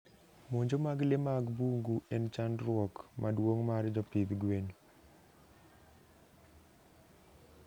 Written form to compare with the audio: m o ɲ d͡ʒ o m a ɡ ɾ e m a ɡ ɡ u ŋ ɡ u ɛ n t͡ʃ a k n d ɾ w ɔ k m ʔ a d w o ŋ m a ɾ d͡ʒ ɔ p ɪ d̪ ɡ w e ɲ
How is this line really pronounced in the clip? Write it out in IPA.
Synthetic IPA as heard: m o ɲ d͡ʒ o m a ɡ l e m a ɡ b u ŋ ɡ u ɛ n t͡ʃ a n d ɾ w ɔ k m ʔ a d w o ŋ m a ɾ d͡ʒ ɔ p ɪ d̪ ɡ w e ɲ